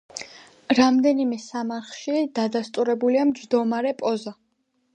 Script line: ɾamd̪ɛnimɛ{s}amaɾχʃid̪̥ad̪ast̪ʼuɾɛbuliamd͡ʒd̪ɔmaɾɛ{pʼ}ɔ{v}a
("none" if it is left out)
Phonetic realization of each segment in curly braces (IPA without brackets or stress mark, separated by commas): s, pʼ, z